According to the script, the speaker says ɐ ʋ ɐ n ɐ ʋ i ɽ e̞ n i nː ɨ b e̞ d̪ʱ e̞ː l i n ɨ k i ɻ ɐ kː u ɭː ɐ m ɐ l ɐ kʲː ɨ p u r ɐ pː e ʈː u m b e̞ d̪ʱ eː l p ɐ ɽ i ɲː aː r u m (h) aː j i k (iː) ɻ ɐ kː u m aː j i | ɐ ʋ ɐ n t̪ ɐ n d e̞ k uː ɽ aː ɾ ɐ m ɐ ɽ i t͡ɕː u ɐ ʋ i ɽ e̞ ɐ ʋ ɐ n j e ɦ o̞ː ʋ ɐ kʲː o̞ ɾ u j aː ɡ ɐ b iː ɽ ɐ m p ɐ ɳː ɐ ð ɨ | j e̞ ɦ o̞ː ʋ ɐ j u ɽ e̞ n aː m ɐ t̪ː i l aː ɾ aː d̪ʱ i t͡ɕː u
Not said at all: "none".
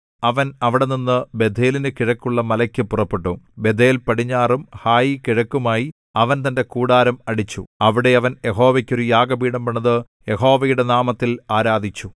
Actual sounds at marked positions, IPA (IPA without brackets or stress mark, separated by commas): h, i